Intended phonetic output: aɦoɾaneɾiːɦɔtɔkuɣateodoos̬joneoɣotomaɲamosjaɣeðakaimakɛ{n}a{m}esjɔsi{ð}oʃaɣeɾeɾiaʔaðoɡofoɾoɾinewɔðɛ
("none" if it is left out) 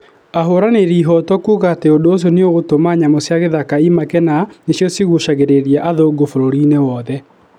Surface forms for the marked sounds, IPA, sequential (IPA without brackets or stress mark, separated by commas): n, n, ɣ